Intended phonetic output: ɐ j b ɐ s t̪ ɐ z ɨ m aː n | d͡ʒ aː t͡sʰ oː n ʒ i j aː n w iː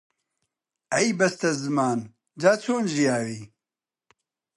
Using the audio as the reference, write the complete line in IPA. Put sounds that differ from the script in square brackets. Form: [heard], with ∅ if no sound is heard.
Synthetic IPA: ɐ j b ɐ s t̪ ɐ z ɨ m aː n | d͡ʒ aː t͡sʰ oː n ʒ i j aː [∅] w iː